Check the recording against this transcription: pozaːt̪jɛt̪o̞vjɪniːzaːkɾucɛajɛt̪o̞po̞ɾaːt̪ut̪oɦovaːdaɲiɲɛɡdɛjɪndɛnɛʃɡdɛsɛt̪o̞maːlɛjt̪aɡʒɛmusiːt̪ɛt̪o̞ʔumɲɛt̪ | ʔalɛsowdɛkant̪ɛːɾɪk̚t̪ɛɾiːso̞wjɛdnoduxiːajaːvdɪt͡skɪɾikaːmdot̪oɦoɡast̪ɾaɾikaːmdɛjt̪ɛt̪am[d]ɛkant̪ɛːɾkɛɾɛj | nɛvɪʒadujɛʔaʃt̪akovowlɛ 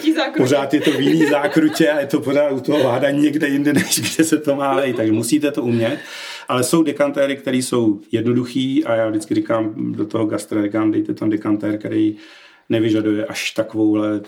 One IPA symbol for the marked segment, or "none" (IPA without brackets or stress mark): d